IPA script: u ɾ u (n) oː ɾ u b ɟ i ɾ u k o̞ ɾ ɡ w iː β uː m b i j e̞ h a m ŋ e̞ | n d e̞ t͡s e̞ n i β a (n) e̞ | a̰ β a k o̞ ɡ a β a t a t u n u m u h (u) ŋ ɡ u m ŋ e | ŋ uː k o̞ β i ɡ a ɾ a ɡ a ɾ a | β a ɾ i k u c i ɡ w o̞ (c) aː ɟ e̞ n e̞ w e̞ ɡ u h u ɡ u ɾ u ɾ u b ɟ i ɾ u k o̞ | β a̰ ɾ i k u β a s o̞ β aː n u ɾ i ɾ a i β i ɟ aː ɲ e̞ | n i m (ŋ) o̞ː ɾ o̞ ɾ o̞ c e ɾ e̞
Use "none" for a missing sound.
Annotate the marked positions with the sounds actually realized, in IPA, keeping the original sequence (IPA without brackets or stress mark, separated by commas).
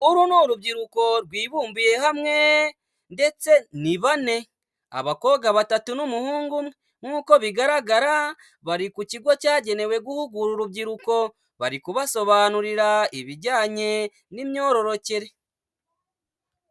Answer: n, n, uː, c, ɲ